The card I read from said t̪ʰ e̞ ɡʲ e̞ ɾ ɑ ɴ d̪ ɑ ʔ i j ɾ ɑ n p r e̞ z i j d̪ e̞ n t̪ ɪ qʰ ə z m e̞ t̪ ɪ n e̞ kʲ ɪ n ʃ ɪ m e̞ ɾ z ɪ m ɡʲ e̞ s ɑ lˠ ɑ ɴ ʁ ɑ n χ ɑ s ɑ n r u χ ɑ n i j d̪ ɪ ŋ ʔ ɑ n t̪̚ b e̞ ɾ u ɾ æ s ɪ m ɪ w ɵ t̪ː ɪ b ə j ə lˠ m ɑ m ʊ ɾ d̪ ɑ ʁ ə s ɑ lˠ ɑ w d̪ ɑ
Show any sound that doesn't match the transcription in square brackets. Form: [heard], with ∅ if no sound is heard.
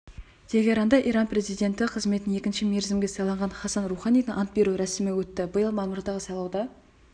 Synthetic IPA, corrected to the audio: t̪ʰ e̞ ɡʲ e̞ ɾ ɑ [n] d̪ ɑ ʔ i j ɾ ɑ n p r e̞ z i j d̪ e̞ n t̪ ɪ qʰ ə z m e̞ t̪ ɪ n e̞ kʲ ɪ n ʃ ɪ m e̞ ɾ z ɪ m ɡʲ e̞ s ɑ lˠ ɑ ɴ ʁ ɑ n χ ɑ s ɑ n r u χ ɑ n i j d̪ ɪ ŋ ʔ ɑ n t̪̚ b e̞ ɾ u ɾ æ s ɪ m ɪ w ɵ t̪ː ɪ b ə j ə lˠ m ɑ m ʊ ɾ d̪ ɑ ʁ ə s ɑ lˠ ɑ w d̪ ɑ